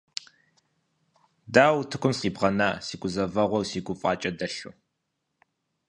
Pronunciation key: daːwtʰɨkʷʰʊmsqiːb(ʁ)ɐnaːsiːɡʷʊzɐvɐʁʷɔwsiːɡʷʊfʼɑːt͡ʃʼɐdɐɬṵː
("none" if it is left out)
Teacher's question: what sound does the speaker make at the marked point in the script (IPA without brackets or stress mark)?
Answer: ʁ